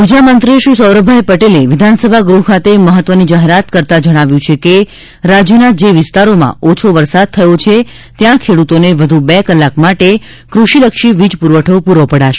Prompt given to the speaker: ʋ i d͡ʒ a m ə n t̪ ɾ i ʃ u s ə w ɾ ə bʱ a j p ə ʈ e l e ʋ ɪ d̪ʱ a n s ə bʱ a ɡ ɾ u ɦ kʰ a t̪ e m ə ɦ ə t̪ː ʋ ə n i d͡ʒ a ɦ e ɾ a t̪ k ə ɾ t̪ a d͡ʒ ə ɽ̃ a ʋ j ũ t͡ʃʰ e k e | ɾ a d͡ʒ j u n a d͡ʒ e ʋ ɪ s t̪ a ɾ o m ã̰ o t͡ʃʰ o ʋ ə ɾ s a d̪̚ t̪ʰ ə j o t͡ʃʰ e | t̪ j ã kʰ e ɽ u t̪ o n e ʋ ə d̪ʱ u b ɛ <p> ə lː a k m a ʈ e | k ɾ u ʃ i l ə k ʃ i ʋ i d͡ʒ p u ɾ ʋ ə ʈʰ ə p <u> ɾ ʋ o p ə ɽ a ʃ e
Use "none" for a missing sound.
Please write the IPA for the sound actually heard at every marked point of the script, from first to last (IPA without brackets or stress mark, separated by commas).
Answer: k, u